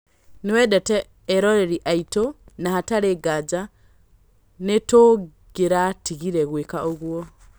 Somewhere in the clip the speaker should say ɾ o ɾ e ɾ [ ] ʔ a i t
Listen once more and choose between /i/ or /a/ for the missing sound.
i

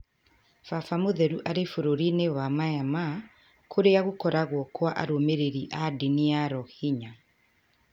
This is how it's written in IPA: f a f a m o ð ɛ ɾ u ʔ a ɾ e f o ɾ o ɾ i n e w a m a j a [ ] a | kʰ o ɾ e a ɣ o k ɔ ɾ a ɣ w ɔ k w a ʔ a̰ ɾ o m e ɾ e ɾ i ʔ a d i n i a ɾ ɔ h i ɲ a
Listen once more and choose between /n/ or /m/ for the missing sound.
m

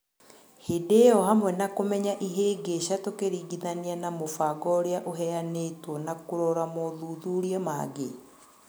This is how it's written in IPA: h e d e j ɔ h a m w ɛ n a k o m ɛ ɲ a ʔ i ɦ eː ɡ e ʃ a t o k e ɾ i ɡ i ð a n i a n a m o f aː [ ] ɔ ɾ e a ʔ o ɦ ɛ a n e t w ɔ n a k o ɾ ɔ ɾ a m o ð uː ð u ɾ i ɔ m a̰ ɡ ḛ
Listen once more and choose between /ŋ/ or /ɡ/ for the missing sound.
ɡ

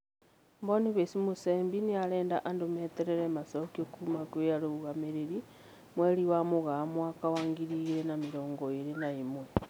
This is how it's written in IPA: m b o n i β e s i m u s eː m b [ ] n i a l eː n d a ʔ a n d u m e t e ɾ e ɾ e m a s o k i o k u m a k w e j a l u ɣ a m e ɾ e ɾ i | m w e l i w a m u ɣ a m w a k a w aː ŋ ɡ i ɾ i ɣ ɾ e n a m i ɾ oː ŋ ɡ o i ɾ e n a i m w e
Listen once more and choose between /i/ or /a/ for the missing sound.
i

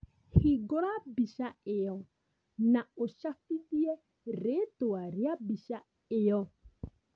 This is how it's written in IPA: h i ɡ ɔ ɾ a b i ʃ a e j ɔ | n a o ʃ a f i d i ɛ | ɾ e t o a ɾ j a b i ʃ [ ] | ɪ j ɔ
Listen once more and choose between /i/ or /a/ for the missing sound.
a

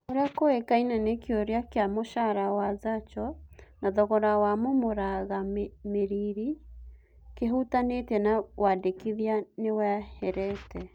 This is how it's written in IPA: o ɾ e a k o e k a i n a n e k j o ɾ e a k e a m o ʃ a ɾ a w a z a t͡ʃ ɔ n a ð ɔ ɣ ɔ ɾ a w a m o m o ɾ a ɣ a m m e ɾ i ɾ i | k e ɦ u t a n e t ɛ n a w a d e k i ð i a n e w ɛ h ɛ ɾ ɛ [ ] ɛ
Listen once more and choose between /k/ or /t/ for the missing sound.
t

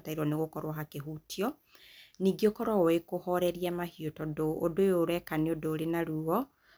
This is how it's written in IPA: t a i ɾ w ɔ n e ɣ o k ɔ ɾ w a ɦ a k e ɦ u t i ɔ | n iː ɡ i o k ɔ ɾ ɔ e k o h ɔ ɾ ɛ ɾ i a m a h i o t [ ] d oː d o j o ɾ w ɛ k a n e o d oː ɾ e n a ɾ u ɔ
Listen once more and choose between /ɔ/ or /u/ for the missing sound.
ɔ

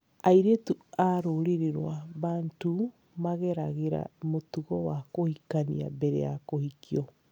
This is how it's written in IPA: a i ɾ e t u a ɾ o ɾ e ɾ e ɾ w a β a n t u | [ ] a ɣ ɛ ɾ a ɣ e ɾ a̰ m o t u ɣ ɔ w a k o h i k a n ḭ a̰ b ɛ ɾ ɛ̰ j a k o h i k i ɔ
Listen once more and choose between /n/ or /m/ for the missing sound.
m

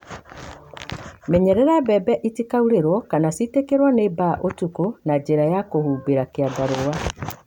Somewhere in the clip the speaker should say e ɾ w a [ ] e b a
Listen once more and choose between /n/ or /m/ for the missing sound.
n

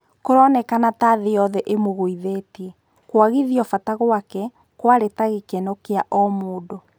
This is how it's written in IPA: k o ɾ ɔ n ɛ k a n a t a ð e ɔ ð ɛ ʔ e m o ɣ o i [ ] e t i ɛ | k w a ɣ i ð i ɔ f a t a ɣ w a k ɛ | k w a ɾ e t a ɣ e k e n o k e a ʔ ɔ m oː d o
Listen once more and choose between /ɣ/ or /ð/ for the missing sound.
ð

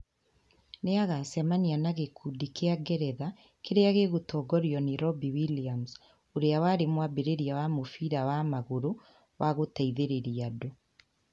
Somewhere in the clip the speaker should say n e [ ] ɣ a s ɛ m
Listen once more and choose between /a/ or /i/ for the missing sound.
a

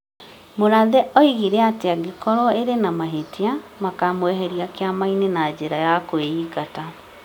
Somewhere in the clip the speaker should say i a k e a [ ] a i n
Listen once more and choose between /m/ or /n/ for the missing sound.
m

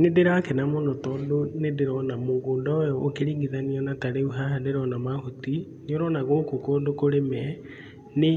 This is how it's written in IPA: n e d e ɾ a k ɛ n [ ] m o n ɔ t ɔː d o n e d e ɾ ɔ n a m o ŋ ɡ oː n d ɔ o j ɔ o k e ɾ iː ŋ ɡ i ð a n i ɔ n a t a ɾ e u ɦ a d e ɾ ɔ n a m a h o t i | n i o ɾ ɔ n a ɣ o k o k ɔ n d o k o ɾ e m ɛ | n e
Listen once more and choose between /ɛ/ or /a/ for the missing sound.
a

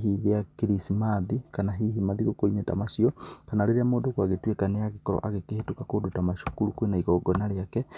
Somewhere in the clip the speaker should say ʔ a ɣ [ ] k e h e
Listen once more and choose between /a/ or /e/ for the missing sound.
e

